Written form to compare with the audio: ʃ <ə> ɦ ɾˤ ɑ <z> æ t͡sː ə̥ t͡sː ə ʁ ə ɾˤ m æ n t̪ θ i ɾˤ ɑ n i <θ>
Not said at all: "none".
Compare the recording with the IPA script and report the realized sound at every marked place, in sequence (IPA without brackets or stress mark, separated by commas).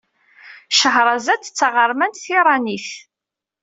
ə, z, θ